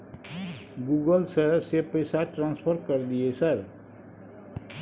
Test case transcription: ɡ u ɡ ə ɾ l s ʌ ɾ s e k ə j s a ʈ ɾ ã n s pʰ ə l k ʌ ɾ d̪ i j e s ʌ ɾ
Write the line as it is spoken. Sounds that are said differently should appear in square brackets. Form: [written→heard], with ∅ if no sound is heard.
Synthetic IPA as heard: ɡ u ɡ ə [ɾ→∅] l s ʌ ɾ s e [k→p] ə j s a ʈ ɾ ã n s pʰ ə [l→ɾ] k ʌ ɾ d̪ i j e s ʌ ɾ